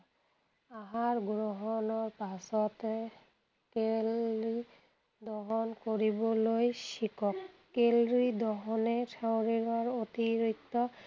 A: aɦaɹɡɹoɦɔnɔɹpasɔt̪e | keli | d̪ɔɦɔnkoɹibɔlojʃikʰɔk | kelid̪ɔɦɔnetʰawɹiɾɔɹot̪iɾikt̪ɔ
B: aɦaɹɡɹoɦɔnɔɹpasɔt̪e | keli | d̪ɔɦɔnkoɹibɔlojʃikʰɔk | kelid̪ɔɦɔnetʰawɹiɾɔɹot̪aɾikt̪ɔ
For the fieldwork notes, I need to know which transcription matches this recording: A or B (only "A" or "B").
A